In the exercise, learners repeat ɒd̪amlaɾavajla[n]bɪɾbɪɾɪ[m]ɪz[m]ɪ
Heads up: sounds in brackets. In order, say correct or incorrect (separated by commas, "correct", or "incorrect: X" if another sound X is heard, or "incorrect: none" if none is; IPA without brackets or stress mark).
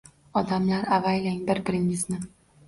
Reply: incorrect: ŋ, incorrect: ŋ, incorrect: n